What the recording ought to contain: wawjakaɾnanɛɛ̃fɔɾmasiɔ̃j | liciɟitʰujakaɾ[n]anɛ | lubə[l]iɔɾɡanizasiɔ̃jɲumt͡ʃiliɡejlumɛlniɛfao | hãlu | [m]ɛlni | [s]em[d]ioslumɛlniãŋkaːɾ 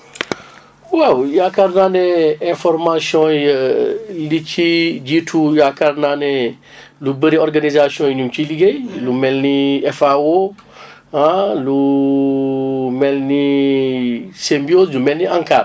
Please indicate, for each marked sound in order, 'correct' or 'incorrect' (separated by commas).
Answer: correct, incorrect, correct, correct, incorrect